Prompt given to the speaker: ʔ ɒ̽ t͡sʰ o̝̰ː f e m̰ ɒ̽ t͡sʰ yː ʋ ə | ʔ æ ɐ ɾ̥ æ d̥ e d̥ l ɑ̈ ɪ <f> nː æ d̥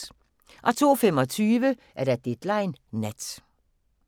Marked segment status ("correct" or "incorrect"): incorrect